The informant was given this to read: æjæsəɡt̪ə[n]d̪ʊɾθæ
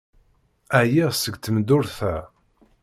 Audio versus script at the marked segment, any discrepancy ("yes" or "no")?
yes